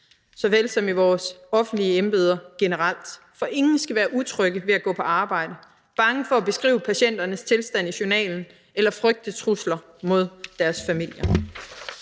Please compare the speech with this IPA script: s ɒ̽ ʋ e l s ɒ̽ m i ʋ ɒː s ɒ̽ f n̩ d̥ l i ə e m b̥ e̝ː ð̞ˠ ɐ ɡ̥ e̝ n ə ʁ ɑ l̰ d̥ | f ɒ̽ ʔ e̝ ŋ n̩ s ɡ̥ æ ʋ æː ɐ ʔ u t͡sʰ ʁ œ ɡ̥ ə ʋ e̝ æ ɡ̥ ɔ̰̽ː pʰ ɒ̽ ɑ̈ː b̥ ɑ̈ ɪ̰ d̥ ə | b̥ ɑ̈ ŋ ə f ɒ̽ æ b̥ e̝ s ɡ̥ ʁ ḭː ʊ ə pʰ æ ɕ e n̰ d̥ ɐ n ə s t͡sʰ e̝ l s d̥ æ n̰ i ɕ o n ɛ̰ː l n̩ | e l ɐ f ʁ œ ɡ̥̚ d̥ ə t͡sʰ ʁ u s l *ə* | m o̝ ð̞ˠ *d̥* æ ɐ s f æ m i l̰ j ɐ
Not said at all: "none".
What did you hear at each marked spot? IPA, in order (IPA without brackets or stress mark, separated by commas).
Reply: ɐ, d̥